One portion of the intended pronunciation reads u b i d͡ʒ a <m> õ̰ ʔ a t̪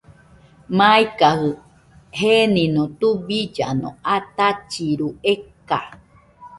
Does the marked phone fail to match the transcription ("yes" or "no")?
yes